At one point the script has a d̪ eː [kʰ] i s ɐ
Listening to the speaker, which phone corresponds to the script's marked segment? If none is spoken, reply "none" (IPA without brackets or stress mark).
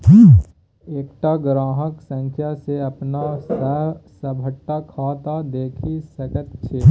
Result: kʰ